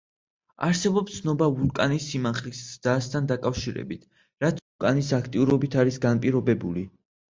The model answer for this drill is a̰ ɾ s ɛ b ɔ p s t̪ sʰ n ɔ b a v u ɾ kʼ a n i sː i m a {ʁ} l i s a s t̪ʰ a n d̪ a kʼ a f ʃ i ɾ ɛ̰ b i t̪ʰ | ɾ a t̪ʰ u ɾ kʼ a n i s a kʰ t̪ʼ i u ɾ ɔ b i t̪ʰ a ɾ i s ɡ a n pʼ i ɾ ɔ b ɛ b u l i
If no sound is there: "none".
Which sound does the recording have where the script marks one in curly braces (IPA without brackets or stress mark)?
χ